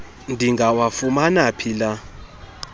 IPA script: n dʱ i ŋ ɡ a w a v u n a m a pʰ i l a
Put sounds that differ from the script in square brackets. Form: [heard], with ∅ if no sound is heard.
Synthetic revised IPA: n dʱ i ŋ ɡ a w a [f] u [m] a [n] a pʰ i l a